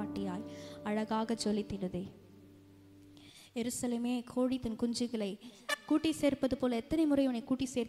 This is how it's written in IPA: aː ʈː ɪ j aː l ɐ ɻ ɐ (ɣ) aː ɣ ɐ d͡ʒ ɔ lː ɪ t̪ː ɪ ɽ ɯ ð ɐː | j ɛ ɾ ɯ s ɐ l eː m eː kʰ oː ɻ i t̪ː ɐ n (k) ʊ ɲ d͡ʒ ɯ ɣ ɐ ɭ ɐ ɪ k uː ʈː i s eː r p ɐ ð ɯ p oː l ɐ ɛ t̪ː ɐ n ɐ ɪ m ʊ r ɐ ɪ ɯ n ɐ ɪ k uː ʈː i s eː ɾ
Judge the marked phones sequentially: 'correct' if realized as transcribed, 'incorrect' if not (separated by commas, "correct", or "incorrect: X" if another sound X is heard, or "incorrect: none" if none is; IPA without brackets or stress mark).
correct, correct